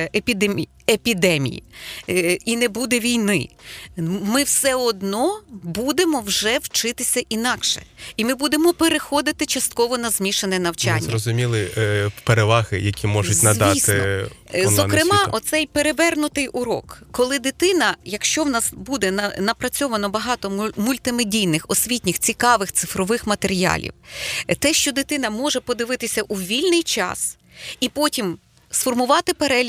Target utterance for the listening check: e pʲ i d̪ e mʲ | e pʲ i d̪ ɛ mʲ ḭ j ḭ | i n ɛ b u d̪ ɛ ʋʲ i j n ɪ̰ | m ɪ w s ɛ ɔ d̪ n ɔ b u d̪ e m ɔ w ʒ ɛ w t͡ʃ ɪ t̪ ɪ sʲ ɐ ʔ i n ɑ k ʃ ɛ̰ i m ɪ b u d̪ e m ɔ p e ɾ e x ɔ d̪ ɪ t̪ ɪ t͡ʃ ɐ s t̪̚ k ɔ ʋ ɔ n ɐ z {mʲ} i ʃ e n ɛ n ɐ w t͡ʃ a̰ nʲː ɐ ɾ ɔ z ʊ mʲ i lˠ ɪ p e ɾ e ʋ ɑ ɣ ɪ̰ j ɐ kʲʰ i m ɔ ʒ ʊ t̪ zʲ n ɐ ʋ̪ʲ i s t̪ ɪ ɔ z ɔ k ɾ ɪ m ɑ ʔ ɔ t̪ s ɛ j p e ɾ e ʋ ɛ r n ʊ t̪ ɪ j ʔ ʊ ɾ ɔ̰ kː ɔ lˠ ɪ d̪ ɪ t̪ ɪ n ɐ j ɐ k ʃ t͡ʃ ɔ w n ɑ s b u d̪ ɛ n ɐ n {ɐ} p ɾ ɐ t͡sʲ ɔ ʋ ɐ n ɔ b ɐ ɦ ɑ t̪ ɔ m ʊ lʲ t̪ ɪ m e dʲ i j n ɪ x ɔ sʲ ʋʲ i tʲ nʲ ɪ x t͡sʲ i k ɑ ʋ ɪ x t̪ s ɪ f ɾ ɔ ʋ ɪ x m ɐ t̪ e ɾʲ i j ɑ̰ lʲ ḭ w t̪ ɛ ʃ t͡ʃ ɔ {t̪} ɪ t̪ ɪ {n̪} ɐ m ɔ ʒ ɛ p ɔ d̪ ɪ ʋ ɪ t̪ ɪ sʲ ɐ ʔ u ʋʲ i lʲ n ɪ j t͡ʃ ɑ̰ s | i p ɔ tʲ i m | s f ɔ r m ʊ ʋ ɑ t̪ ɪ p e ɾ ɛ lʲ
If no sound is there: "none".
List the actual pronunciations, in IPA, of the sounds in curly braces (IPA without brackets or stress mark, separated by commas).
mʲ, ɐ, d̪, n̪